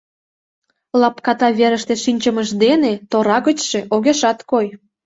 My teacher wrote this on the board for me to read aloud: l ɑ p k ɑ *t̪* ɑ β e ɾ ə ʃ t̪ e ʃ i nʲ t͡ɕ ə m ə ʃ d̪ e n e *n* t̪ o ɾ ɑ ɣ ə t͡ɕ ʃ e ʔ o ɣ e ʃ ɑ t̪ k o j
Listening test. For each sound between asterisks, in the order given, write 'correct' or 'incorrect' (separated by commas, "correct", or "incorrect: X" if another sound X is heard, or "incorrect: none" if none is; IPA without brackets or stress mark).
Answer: correct, incorrect: none